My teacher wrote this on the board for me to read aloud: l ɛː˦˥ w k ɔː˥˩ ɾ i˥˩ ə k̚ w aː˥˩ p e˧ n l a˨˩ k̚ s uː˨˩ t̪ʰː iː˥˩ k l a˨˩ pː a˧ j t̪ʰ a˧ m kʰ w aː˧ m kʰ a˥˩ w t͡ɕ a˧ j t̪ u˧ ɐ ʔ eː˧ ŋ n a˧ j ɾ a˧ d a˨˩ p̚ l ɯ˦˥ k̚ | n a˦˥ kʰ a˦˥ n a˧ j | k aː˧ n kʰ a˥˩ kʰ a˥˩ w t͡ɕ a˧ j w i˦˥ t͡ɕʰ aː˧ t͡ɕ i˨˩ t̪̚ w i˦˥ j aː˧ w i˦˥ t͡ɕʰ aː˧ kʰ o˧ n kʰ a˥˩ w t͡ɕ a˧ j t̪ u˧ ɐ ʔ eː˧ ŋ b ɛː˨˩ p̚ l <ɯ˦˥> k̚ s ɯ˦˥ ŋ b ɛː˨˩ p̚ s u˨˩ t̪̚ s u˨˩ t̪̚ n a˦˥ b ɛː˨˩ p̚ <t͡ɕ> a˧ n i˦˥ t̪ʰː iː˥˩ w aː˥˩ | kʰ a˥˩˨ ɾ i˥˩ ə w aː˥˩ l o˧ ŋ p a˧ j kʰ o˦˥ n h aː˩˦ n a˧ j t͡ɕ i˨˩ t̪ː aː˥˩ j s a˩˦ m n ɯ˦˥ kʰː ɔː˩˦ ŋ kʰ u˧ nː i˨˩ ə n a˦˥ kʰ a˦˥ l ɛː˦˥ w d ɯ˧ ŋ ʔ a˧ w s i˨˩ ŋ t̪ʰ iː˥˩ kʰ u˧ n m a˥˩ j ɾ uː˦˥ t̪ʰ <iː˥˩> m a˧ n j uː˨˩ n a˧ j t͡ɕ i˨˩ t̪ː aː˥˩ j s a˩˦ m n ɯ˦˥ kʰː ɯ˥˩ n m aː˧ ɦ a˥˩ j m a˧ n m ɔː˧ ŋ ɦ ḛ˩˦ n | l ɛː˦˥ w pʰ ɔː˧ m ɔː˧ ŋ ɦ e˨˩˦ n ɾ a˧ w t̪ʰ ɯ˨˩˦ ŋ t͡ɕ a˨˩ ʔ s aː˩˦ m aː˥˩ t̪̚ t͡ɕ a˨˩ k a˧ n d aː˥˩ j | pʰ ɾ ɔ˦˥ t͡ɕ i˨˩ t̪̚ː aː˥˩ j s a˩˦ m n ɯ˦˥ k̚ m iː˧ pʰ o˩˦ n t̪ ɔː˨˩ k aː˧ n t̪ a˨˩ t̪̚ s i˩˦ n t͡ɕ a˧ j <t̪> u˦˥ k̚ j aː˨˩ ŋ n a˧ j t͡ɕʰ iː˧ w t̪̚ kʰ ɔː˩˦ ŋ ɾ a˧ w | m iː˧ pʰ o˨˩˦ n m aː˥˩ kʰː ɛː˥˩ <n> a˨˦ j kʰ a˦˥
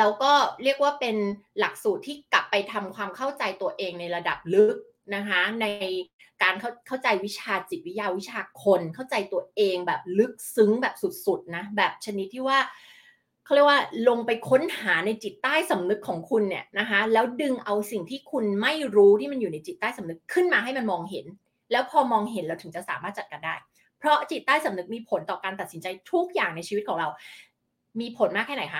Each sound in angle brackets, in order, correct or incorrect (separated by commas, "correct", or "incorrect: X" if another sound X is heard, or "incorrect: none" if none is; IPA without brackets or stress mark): correct, incorrect: t͡ɕʰ, correct, incorrect: t̪ʰ, correct